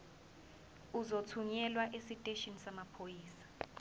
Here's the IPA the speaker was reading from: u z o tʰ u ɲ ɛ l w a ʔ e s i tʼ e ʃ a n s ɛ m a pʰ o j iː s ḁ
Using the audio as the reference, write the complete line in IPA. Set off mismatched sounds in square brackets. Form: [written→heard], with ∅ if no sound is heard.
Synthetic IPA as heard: u z o tʰ u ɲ ɛ l w a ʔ e s i tʼ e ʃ [a→i] n s [ɛ→a] m a pʰ o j iː s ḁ